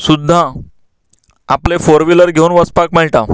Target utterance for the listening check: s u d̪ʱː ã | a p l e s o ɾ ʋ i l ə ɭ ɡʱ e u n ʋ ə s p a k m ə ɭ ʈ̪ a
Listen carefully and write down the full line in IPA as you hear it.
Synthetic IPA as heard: s u d̪ʱː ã | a p l e f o ɾ ʋ i l ə ɾ ɡʱ e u n ʋ ə s p a k m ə ɭ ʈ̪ a